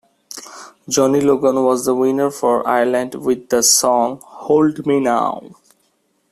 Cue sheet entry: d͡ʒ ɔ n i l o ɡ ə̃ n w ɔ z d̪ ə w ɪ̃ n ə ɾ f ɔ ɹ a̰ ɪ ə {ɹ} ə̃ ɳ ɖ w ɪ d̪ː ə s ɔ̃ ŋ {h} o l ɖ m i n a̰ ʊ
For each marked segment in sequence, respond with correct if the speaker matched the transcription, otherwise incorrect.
incorrect, correct

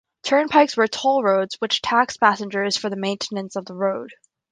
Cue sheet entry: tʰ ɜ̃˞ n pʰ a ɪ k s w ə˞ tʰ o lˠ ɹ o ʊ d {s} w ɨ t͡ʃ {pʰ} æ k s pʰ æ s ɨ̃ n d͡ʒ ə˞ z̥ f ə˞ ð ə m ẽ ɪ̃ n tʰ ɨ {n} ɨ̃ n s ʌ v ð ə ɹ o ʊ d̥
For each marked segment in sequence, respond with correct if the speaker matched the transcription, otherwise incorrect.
incorrect, incorrect, correct

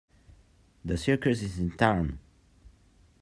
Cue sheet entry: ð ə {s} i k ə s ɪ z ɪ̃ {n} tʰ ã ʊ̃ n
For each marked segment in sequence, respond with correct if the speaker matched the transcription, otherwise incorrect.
correct, correct

